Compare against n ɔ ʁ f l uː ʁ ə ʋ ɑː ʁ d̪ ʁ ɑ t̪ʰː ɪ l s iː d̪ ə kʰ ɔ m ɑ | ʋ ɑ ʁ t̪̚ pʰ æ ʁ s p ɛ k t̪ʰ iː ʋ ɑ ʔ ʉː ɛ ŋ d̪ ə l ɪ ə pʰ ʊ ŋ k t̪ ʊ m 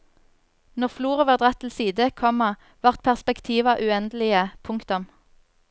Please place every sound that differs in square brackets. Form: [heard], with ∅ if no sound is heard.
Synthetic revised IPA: n ɔ ʁ f l uː ʁ ə ʋ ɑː ʁ d̪ ʁ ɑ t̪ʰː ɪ l s iː d̪ ə kʰ ɔ m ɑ | ʋ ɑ ʁ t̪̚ pʰ æ ʁ s p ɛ k t̪ʰ iː ʋ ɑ ʔ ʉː ɛ [n] d̪ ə l ɪ ə pʰ ʊ ŋ k t̪ ʊ m

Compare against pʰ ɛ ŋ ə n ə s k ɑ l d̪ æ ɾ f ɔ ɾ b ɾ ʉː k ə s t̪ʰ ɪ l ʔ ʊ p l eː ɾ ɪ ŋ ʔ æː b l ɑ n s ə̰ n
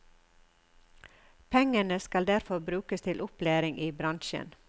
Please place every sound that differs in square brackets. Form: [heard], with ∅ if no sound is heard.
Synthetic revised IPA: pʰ ɛ ŋ ə n ə s k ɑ l d̪ æ ɾ f ɔ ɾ b ɾ ʉː k ə s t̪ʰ ɪ l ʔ ʊ p l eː ɾ ɪ ŋ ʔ [iː] b [ɾ] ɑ n [ʃ] ə̰ n

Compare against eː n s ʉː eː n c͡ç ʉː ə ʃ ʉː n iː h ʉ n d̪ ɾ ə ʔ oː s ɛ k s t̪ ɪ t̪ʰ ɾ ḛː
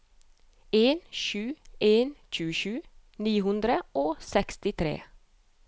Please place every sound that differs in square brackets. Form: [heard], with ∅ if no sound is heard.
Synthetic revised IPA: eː n [ʃ] ʉː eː n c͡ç ʉː ə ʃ ʉː n iː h ʉ n d̪ ɾ ə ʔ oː s ɛ k s t̪ ɪ t̪ʰ ɾ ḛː

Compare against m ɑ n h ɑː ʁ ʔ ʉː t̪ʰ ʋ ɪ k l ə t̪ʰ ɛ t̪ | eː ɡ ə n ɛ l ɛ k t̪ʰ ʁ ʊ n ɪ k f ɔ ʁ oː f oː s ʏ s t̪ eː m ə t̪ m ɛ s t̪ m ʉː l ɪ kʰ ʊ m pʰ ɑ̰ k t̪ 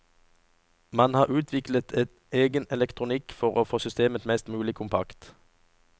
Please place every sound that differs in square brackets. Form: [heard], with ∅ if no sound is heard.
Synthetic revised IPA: m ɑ n h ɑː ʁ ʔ ʉː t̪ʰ ʋ ɪ k l ə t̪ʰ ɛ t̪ | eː ɡ ə n ɛ l ɛ k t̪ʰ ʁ ʊ n ɪ k f ɔ ʁ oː f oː s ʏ s t̪ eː m ə t̪ m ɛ s t̪ m ʉː l ɪ kʰ ʊ m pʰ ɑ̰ k t̪

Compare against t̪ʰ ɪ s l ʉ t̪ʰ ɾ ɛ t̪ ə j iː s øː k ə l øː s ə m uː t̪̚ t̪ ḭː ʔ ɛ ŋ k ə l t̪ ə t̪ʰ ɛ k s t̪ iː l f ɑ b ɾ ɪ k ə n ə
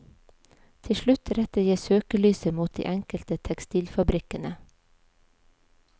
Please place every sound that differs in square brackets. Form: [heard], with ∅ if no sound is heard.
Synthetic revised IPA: t̪ʰ ɪ [ʃ] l ʉ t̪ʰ ɾ ɛ t̪ ə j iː s øː k ə l [yː] s ə m uː t̪̚ [d̪] ḭː ʔ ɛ ŋ k ə l t̪ ə t̪ʰ ɛ k s t̪ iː l f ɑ b ɾ ɪ k ə n ə

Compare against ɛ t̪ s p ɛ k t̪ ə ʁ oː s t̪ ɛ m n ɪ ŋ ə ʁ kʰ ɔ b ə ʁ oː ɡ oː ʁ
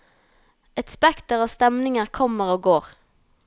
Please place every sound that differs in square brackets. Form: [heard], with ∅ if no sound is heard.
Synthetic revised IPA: ɛ t̪ s p ɛ k t̪ ə ʁ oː s t̪ ɛ m n ɪ ŋ ə ʁ kʰ ɔ [m] ə ʁ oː ɡ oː ʁ

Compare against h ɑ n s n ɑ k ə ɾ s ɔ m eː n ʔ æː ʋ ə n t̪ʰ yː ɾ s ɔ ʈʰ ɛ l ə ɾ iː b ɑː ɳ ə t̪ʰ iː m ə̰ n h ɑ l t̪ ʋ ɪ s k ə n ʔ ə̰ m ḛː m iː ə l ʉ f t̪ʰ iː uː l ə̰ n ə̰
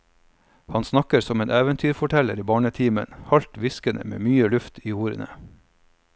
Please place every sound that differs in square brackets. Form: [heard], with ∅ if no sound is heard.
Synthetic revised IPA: h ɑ n s n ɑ k ə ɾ s ɔ m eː n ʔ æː ʋ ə n t̪ʰ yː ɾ [f] ɔ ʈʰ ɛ l ə ɾ iː b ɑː ɳ ə t̪ʰ iː m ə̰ n h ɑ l t̪ ʋ ɪ s k ə n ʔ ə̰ m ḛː m [yː] ə l ʉ f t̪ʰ iː uː [ɾ] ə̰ n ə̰

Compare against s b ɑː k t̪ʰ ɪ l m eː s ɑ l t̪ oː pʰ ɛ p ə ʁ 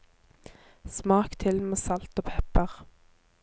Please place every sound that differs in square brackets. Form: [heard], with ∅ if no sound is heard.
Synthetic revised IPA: s [m] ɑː k t̪ʰ ɪ l m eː s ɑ l t̪ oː pʰ ɛ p ə ʁ

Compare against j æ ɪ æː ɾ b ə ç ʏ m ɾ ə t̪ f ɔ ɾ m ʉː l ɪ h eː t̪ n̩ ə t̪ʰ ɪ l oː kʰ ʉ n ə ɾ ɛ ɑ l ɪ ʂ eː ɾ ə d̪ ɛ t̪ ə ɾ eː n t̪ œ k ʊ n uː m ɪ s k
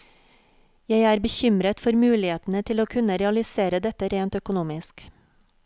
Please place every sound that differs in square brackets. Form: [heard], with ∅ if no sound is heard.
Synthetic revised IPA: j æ ɪ æː ɾ b ə ç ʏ m ɾ ə t̪ f ɔ ɾ m ʉː l ɪ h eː t̪ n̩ ə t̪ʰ ɪ l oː kʰ ʉ n ə ɾ ɛ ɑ l ɪ [s] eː ɾ ə d̪ ɛ t̪ ə ɾ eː n t̪ œ k ʊ n uː m ɪ s k

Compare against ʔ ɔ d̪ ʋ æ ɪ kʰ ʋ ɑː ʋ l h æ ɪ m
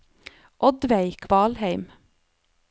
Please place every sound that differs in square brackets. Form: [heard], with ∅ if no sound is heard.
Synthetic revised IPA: ʔ ɔ d̪ ʋ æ ɪ kʰ ʋ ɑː [∅] l h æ ɪ m

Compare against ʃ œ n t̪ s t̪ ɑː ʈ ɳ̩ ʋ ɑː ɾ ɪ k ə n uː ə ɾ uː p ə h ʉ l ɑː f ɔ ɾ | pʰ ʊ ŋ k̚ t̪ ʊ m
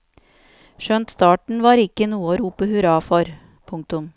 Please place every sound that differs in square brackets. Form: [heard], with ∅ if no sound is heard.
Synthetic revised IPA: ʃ œ n t̪ s t̪ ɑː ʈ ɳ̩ ʋ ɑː ɾ ɪ k ə n uː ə ɾ uː p ə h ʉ [ɾ] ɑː f ɔ ɾ | pʰ ʊ ŋ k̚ t̪ ʊ m

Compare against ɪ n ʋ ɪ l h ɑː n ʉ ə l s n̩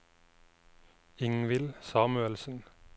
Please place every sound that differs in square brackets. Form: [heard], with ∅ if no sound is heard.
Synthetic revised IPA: ɪ [ŋ] ʋ ɪ l [s] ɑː [m] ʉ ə l s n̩

